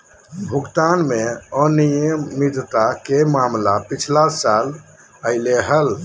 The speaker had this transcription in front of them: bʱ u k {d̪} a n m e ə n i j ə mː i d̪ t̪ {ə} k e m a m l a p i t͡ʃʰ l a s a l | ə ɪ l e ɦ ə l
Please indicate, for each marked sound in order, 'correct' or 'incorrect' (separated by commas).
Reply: incorrect, incorrect